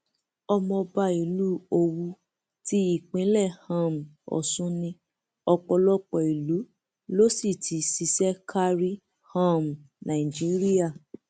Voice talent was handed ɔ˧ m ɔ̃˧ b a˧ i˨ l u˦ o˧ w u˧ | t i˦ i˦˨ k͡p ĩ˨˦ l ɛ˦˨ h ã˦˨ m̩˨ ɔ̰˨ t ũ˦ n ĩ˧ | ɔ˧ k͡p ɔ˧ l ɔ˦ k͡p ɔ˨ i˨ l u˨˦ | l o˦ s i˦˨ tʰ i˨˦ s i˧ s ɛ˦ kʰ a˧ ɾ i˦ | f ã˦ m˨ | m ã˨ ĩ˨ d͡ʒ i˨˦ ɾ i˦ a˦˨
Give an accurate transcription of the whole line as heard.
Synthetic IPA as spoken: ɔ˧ m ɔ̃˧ b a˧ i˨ l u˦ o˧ w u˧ | t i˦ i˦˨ k͡p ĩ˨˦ l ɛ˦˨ h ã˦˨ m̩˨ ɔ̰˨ s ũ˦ n ĩ˧ | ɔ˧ k͡p ɔ˧ l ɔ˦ k͡p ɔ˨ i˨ l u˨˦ | l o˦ s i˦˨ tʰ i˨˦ s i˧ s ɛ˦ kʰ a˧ ɾ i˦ | h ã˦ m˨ | n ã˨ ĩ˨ d͡ʒ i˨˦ ɾ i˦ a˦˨